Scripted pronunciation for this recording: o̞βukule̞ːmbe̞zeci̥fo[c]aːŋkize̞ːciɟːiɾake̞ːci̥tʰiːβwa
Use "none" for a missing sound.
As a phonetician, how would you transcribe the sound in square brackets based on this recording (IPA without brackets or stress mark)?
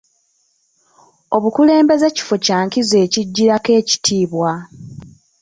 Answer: c